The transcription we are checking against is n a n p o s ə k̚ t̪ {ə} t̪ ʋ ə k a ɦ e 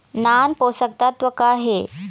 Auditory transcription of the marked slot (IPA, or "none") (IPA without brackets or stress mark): a